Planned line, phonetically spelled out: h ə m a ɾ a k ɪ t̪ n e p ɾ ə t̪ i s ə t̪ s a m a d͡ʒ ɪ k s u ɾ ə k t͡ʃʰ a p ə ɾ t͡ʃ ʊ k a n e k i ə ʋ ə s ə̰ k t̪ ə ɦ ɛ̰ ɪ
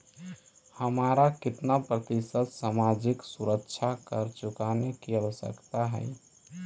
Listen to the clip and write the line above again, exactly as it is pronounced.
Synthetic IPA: h ə m a ɾ a k ɪ t̪ n a p ɾ ə t̪ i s ə t̪ s a m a d͡ʒ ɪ k s u ɾ ə k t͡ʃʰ a k ə ɾ t͡ʃ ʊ k a n e k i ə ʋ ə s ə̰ k t̪ a ɦ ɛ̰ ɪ